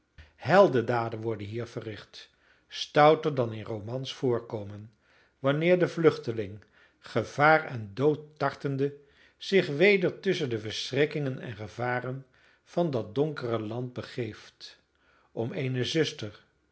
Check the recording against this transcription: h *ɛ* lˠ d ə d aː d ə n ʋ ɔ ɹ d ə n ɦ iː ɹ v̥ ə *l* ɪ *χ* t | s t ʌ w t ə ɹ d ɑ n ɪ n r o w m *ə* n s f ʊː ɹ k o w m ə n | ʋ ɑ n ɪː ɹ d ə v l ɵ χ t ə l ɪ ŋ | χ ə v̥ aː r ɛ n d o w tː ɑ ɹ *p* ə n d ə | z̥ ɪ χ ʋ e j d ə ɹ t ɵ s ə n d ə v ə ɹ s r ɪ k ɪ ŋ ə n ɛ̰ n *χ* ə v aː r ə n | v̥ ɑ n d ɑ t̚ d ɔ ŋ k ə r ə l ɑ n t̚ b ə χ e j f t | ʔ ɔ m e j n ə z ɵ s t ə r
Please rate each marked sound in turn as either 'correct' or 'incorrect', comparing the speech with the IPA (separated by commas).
correct, incorrect, correct, incorrect, incorrect, correct